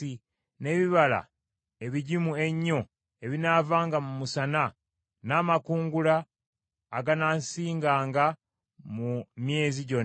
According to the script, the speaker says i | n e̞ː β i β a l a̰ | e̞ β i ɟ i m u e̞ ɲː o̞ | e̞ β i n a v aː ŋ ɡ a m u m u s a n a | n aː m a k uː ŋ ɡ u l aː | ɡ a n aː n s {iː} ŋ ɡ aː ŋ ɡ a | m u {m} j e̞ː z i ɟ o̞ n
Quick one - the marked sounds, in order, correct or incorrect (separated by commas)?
correct, correct